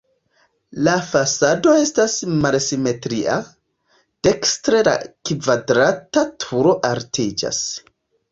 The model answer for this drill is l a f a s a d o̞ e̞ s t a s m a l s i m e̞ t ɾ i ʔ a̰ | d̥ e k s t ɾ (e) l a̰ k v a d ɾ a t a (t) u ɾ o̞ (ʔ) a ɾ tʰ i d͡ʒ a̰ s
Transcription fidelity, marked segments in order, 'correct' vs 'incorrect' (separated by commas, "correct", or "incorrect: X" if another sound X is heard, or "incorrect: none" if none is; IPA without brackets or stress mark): correct, incorrect: tʰ, correct